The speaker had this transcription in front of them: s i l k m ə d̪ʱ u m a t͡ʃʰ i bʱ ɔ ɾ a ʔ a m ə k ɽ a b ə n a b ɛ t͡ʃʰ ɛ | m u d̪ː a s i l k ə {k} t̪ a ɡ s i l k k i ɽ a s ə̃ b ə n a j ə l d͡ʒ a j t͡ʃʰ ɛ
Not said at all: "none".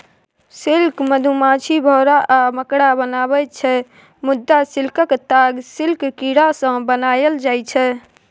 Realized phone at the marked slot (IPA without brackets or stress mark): k